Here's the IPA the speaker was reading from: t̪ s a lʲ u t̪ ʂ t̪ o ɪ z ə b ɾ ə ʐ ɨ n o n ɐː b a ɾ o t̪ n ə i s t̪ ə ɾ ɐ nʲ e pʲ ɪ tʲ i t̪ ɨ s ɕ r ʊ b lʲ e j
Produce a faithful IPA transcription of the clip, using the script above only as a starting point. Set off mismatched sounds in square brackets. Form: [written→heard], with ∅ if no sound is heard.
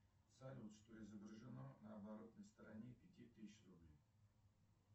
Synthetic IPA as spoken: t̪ s a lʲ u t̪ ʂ t̪ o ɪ z ə b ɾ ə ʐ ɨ n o n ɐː b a ɾ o t̪ n ə [i→j] s t̪ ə ɾ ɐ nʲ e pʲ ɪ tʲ i t̪ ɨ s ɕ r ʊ b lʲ e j